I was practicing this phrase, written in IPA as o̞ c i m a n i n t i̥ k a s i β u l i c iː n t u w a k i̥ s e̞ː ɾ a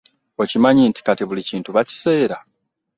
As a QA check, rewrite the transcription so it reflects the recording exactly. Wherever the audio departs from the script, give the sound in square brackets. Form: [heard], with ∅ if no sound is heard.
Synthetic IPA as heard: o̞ c i m a [ɲ] i n t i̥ k a [t] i β u l i c iː n t u [β] a [c] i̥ s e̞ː ɾ a